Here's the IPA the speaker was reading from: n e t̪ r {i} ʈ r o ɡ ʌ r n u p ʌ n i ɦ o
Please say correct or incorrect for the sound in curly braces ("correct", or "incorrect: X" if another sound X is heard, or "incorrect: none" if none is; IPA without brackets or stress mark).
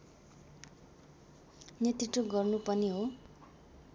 correct